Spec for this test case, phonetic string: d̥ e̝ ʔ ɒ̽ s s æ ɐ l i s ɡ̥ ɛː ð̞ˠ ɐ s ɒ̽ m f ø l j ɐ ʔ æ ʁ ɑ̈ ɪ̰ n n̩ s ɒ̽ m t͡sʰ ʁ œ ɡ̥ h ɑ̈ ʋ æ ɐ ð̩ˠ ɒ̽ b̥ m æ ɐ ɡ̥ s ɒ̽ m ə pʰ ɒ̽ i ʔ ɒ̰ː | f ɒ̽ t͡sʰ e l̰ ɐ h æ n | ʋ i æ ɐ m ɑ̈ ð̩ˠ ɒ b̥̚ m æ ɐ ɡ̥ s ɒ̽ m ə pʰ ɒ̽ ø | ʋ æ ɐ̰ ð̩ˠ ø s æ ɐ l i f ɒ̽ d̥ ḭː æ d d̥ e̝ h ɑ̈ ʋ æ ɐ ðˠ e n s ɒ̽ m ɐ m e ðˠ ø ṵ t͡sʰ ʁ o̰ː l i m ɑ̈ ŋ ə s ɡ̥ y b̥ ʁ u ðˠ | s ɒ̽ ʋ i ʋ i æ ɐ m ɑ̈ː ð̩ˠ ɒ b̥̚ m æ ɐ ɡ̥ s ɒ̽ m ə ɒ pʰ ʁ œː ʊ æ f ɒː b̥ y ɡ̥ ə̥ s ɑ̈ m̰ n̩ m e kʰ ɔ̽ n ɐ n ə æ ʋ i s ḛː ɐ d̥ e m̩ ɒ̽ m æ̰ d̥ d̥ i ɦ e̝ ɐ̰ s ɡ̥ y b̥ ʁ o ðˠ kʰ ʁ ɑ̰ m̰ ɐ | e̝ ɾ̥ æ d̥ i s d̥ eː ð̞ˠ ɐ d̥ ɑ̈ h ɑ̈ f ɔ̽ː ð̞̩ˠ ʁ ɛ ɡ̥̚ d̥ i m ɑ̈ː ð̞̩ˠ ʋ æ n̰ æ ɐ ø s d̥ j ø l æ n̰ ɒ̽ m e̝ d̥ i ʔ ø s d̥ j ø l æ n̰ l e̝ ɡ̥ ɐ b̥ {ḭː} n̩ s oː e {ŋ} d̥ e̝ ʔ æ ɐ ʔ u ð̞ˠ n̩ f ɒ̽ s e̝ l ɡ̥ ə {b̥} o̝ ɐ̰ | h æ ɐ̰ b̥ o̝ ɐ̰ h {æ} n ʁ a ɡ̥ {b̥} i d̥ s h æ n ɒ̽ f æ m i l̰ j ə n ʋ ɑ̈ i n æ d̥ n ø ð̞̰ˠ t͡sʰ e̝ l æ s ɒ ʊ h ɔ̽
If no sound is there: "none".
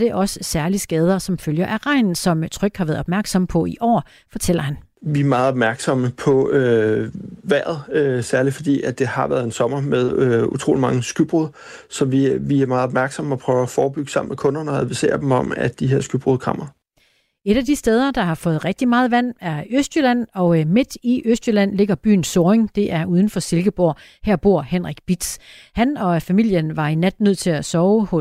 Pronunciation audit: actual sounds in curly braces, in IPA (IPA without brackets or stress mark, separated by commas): y̰ː, ŋ, b̥, e, b̥